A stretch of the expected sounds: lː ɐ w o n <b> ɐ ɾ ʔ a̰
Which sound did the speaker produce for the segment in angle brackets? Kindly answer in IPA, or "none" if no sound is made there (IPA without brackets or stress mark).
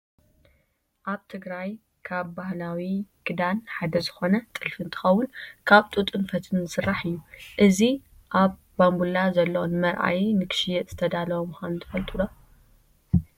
m